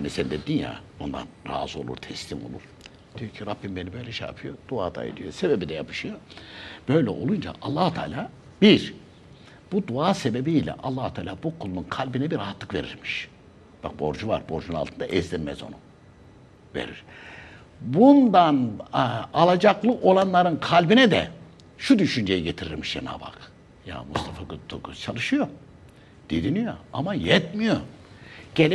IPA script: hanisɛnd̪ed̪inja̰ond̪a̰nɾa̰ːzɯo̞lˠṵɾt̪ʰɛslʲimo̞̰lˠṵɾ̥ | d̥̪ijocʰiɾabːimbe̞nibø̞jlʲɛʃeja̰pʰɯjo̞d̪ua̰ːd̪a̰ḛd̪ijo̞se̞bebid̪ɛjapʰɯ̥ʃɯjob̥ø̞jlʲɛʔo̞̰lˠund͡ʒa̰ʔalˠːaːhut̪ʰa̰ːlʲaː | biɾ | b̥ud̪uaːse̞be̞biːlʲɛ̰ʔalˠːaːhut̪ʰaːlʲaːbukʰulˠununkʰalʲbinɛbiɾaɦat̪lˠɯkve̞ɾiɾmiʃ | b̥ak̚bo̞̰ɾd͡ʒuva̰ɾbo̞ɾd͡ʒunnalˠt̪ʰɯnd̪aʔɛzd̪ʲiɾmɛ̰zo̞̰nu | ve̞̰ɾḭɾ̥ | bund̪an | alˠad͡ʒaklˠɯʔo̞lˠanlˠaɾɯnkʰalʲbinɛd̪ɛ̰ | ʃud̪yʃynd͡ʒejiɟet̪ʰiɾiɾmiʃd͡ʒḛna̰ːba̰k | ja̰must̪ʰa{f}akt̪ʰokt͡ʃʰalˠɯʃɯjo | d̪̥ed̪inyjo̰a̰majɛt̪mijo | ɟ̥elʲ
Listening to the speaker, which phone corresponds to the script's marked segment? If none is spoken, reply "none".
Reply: f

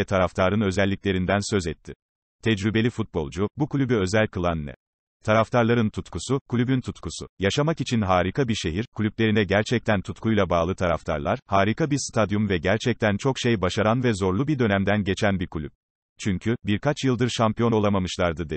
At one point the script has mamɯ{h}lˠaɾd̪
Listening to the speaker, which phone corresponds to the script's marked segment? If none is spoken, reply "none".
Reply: ʃ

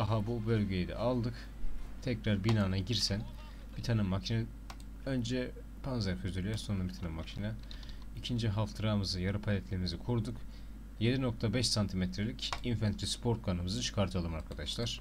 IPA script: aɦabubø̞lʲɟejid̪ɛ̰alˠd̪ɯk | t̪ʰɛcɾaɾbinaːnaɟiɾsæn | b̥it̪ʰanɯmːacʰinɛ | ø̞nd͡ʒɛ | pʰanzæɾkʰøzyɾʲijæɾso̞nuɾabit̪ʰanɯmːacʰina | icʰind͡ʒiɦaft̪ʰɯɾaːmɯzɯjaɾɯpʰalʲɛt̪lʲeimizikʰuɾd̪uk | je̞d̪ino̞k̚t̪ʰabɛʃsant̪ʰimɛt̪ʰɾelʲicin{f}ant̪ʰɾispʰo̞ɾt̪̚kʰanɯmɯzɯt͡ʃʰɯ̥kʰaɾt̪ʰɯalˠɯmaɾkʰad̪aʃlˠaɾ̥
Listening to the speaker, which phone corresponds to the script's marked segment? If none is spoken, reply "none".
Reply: f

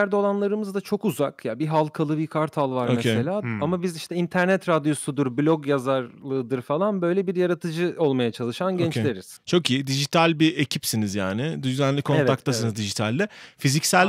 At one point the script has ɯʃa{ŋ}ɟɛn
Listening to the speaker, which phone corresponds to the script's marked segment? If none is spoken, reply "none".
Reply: n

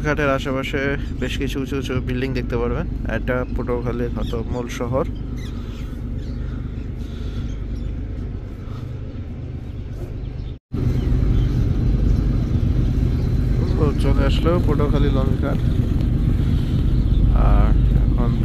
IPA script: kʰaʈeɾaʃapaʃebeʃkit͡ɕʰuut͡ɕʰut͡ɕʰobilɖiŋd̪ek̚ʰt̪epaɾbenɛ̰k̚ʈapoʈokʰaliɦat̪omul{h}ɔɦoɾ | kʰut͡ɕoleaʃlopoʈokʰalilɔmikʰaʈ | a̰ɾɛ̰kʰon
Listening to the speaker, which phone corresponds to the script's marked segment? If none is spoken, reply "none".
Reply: ʃ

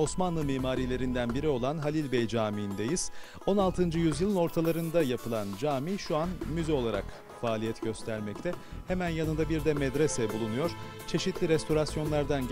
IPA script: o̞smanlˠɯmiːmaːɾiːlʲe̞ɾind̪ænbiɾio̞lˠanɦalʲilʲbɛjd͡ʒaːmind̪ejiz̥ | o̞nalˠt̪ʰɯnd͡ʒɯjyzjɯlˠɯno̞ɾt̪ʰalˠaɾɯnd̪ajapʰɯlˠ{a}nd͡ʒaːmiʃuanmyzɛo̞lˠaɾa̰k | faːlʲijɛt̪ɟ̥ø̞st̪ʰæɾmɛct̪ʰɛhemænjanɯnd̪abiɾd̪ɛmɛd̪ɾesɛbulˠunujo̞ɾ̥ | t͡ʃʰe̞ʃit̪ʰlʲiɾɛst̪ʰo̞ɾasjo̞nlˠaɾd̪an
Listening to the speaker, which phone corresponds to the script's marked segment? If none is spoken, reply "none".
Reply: a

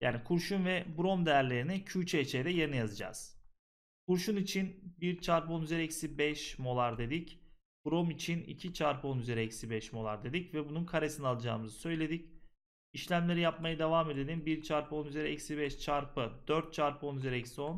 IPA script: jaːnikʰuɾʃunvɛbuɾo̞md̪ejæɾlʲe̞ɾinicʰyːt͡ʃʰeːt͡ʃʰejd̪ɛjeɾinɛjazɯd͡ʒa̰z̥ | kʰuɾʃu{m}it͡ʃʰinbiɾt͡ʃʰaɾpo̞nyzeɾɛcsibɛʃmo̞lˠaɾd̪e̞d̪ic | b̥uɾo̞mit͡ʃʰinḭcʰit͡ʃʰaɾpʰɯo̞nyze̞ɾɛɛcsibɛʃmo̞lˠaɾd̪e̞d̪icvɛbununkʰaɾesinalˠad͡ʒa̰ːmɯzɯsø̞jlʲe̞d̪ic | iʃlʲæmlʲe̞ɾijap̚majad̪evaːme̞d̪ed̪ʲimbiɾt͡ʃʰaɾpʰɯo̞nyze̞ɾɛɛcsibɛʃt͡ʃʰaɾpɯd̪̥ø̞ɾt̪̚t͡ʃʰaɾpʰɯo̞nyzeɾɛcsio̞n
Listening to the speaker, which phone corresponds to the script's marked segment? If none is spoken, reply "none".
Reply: n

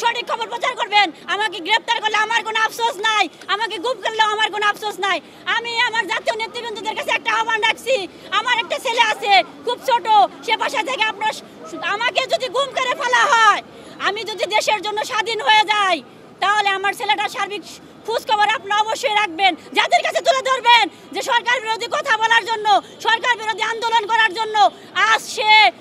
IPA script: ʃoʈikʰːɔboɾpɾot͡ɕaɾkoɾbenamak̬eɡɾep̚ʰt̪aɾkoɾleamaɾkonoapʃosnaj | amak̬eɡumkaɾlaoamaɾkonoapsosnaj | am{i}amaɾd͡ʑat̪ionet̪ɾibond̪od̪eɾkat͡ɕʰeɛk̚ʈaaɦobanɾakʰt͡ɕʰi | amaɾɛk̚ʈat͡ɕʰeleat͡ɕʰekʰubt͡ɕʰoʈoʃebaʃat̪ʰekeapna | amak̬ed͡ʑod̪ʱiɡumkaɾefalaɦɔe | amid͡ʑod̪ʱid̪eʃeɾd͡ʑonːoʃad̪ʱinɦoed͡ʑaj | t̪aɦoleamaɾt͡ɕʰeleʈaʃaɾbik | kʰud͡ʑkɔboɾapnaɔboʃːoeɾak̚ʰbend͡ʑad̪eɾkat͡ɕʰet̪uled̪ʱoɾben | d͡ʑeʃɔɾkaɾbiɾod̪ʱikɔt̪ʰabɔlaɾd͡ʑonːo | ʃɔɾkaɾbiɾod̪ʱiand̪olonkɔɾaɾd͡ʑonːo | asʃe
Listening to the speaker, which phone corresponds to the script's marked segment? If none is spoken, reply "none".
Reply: i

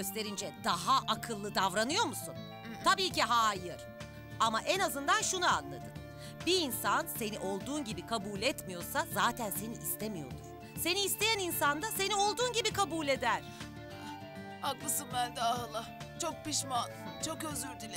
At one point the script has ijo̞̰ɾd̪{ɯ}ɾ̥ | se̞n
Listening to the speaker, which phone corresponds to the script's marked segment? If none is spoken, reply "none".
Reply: u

